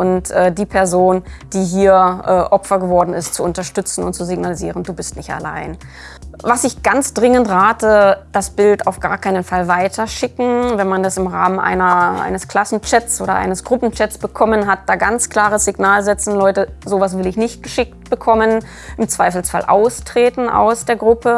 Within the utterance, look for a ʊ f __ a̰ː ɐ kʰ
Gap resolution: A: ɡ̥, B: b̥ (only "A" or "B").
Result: A